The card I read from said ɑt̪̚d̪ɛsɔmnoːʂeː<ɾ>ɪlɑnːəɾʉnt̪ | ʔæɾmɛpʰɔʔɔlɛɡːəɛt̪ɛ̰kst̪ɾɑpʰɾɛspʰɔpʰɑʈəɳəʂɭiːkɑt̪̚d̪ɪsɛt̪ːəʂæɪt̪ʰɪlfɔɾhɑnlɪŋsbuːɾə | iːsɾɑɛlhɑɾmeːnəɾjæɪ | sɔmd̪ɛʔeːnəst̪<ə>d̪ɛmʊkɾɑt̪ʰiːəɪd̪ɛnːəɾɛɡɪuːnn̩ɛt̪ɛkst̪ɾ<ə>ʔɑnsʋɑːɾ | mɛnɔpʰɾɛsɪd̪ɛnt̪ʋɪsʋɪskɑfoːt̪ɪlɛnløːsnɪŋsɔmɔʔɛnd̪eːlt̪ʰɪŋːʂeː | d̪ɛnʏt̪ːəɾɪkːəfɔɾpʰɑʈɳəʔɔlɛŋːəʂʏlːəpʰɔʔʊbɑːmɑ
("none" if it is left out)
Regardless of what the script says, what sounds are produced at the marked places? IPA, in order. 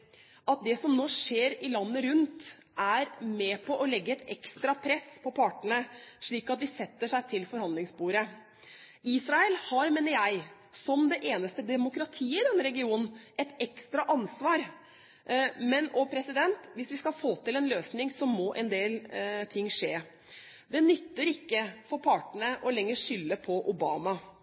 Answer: ɾ, ə, ɑ

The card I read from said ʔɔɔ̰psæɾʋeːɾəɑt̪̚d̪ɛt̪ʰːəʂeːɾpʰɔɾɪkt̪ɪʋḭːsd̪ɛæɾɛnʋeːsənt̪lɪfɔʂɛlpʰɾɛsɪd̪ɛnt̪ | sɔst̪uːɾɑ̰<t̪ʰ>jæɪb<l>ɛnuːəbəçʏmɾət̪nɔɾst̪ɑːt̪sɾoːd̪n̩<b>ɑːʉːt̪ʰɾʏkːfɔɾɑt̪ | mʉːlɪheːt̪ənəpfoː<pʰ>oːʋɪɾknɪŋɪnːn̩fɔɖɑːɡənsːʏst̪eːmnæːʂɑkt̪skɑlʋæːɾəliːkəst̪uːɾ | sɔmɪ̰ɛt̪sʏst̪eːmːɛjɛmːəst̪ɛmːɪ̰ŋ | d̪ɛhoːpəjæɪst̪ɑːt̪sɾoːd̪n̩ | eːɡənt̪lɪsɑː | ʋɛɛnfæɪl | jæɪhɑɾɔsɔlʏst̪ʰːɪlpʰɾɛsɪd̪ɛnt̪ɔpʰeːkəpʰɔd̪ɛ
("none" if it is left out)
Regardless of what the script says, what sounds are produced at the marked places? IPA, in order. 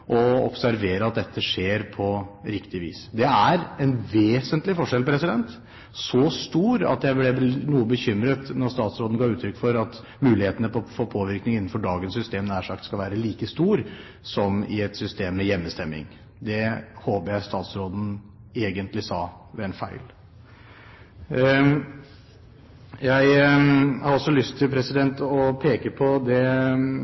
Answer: t̪, l, ɡ, pʰ

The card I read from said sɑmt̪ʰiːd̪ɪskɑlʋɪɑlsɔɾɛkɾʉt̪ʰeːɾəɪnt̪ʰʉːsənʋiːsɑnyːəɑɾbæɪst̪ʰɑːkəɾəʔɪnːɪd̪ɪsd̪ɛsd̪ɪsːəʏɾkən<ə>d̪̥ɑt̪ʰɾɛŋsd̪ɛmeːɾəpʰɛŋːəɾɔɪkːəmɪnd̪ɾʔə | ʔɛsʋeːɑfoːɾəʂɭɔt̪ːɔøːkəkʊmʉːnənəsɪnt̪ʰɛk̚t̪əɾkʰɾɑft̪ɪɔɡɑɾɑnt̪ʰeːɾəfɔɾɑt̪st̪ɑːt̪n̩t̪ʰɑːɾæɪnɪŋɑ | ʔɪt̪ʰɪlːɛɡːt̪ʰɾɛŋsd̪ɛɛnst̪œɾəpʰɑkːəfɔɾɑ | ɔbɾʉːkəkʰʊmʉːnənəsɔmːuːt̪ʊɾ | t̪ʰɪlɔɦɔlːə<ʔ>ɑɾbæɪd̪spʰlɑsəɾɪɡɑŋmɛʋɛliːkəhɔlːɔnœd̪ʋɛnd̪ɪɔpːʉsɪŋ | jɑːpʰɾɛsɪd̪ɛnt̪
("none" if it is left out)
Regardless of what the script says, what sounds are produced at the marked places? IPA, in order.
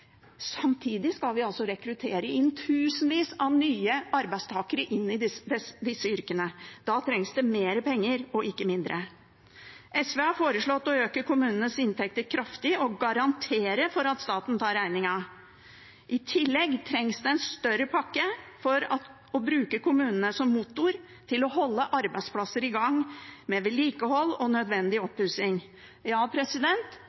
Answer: ə, ʔ

